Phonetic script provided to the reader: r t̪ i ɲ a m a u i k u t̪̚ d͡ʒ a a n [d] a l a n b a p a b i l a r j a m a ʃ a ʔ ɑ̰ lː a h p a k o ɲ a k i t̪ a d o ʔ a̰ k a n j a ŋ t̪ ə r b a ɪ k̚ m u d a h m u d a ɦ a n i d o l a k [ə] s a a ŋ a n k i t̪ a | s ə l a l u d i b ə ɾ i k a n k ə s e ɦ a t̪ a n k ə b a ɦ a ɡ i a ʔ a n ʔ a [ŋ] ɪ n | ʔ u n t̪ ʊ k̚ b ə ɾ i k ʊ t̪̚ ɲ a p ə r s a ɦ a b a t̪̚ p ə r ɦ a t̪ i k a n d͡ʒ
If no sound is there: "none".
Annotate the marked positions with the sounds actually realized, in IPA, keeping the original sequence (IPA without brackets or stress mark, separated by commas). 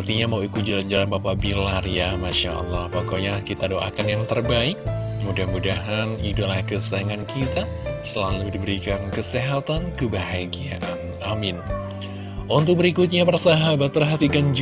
d͡ʒ, ə, m